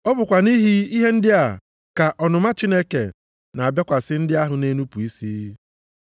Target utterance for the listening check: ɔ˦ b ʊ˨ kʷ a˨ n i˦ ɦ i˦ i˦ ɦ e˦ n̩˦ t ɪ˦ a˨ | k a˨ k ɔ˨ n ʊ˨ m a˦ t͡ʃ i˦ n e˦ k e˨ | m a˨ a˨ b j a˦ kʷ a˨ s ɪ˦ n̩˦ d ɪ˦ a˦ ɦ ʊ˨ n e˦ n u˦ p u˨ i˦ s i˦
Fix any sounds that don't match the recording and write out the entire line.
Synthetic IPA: ɔ˦ b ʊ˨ kʷ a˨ n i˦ ɦ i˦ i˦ ɦ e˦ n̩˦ d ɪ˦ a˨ | k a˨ ʔ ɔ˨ n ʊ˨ m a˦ t͡ʃ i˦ n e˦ k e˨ | n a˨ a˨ b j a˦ kʷ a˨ s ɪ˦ n̩˦ d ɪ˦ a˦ ɦ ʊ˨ n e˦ n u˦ p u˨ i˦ s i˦